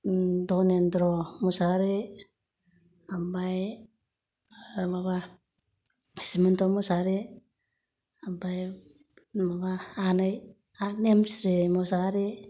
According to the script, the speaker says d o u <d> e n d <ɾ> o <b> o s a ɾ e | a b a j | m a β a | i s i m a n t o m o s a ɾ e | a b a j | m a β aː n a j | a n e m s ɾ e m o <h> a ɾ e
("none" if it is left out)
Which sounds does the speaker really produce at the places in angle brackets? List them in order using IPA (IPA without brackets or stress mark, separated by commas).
n, ɾ, m, s